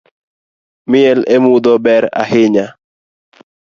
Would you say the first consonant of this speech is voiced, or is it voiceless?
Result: voiced